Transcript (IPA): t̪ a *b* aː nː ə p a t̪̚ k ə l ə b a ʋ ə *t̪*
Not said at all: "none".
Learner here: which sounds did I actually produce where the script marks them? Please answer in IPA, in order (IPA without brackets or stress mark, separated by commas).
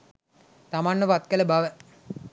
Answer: m, none